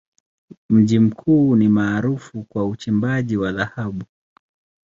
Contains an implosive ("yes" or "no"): yes